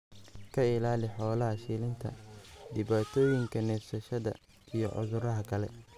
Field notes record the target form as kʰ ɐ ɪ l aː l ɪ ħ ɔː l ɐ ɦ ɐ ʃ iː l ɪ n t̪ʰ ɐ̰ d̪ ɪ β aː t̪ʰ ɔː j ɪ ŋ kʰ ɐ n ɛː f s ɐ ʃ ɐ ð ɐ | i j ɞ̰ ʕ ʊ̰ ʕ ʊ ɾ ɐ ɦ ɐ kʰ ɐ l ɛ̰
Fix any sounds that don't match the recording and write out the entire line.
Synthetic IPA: kʰ ɐ ɪ l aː l ɪ ħ ɔː l ɐ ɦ ɐ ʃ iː l ɪ n t̪ʰ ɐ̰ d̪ ɪ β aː t̪ʰ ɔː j ɪ ŋ kʰ ɐ n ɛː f s ɐ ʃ ɐ ð ɐ | i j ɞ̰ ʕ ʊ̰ ð ʊ ɾ ɐ ɦ ɐ kʰ ɐ l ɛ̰